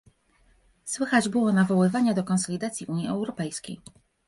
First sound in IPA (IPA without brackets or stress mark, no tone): s